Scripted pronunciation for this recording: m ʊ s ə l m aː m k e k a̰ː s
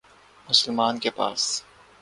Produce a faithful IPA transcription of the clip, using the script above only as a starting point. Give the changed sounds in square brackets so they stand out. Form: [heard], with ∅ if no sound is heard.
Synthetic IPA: m ʊ s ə l m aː [n] k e [p] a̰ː s